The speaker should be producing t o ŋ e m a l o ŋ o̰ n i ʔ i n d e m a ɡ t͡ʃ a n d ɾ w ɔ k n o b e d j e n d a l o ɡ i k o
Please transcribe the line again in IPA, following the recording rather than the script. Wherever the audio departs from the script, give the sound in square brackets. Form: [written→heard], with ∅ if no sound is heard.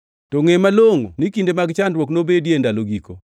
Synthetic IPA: t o ŋ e m a l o ŋ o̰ n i [ʔ→k] i n d e m a ɡ t͡ʃ a n d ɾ w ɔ k n o b e d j e n d a l o ɡ i k o